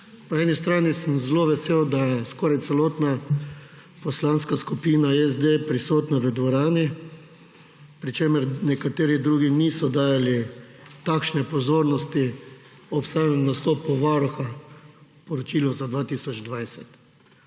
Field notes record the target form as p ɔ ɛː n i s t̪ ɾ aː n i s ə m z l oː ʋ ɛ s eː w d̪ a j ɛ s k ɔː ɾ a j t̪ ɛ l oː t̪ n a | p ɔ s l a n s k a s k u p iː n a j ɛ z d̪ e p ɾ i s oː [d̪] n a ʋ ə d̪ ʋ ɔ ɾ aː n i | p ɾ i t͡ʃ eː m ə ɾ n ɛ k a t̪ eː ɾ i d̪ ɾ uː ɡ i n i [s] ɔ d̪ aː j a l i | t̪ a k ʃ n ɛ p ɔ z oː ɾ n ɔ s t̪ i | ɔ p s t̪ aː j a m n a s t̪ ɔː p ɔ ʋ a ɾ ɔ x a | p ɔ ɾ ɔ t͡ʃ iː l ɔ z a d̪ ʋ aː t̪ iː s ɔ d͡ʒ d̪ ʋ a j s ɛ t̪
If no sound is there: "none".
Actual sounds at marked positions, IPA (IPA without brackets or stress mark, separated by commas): t̪, s